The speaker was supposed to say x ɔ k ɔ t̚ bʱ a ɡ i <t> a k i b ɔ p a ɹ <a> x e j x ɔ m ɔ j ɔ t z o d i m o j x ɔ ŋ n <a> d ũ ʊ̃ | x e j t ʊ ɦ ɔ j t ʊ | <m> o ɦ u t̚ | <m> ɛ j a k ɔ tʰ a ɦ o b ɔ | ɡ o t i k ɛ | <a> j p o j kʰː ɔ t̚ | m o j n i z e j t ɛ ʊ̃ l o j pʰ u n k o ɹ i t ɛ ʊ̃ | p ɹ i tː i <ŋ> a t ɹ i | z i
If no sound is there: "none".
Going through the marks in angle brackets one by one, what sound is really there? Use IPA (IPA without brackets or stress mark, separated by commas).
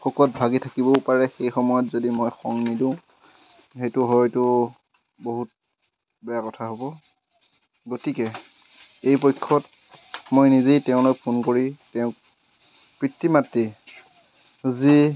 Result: tʰ, ɛ, i, b, b, e, m